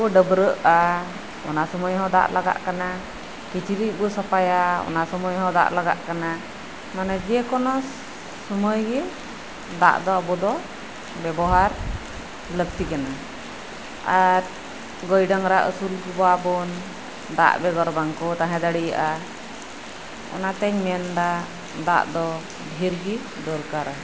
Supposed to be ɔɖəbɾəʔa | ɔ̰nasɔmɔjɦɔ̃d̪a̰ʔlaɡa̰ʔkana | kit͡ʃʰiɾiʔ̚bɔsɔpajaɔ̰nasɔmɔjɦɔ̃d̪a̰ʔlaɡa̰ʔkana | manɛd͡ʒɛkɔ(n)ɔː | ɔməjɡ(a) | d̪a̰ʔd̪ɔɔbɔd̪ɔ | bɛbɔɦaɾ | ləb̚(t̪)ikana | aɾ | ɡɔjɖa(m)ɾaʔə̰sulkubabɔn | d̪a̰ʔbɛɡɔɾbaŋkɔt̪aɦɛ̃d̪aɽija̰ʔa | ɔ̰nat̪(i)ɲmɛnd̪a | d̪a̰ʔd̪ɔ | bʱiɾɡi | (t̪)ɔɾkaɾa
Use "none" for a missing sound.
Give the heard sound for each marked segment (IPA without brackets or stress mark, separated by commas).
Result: n, ɛ, t̪, ŋ, ɛ, d̪